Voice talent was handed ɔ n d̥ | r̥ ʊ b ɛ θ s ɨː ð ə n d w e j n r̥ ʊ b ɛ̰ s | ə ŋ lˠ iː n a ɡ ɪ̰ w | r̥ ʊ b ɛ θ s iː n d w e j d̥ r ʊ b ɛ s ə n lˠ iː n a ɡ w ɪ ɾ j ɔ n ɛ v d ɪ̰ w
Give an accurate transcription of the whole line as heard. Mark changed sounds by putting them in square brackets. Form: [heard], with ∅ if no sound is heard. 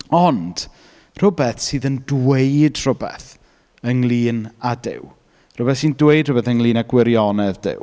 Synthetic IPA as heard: ɔ n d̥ | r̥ ʊ b ɛ θ s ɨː ð ə n d w e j [d] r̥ ʊ b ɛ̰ [θ] | ə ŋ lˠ iː n a [d] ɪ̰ w | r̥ ʊ b ɛ θ s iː n d w e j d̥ r ʊ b ɛ [θ] ə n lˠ iː n a ɡ w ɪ ɾ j ɔ n ɛ [ð] d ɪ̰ w